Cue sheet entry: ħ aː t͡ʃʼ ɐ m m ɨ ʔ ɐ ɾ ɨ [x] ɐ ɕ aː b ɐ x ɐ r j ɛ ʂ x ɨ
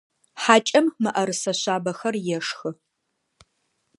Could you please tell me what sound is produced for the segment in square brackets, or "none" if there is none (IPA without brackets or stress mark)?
s